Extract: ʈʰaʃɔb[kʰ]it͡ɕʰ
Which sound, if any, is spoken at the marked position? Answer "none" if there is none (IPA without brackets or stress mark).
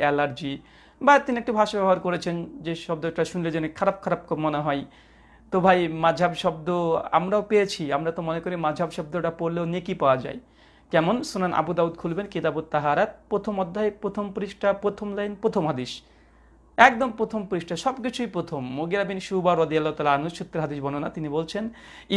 k